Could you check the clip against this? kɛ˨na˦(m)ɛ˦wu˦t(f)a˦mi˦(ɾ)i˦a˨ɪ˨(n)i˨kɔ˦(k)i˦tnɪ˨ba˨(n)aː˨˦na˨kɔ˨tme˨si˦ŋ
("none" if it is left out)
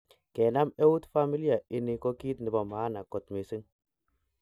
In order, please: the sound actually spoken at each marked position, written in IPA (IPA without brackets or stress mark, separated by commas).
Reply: m, f, l, n, k, m